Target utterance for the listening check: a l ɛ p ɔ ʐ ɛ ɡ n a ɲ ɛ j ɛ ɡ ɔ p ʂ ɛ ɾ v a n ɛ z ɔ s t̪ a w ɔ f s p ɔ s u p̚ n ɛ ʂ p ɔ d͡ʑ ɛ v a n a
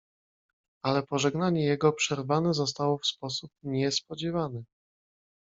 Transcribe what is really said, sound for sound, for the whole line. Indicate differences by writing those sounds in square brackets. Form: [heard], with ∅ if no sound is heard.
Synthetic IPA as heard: a l ɛ p ɔ ʐ ɛ ɡ n a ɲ ɛ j ɛ ɡ ɔ p ʂ ɛ ɾ v a n ɛ z ɔ s t̪ a w ɔ f s p ɔ s u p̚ [ɲ] ɛ [s] p ɔ d͡ʑ ɛ v a n [ɛ]